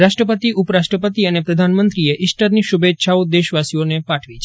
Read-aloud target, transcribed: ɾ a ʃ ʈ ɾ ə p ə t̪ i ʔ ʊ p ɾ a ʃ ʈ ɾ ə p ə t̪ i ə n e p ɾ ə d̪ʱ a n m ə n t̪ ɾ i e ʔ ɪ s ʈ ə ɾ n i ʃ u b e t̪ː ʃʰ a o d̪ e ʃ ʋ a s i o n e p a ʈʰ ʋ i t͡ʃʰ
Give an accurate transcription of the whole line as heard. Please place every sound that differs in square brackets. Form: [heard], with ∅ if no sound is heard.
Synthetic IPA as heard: ɾ a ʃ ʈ ɾ ə p ə t̪ i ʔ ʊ p ɾ a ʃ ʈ ɾ ə p ə t̪ i ə n e p ɾ ə d̪ʱ a n m ə n t̪ ɾ i e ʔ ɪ s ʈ ə ɾ n i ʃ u b e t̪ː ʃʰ a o d̪ e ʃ ʋ a s i o n e p a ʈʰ ʋ i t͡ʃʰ